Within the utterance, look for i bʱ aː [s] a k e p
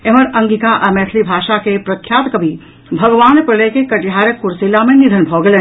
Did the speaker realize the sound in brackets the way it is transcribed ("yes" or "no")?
no